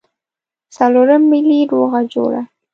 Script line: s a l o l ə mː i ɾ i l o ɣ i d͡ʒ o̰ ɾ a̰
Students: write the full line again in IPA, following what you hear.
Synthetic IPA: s a l o ɾ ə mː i l i ɾ o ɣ a d͡ʒ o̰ ɽ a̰